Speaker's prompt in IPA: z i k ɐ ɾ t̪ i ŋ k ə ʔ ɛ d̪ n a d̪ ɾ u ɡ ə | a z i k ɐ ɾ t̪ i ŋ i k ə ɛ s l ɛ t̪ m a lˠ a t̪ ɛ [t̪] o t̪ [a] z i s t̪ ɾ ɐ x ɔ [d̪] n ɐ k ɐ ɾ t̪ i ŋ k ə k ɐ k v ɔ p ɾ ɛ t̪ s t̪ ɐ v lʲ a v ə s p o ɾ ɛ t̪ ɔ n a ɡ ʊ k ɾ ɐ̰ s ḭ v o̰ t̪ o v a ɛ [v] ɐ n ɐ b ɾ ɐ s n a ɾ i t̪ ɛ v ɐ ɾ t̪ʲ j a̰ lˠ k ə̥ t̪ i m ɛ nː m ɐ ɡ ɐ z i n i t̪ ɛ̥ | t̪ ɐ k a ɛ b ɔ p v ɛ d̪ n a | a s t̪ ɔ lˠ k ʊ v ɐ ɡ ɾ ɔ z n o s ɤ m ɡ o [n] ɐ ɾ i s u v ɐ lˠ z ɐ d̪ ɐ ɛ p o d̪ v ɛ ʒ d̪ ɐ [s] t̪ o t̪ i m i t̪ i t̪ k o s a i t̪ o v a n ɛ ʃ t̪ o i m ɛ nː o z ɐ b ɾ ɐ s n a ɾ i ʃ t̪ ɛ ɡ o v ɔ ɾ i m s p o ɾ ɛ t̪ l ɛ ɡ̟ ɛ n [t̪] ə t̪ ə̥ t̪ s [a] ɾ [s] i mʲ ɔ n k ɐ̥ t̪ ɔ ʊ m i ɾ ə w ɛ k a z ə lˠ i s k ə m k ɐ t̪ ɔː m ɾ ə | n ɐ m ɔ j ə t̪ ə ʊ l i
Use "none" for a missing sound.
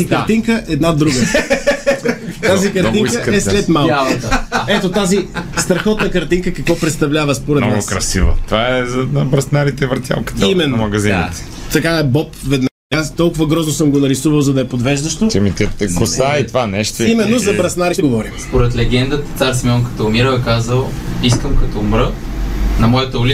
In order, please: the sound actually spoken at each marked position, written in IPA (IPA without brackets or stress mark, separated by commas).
t̪, a, t̪, z, n, ʃ, d̪, a, s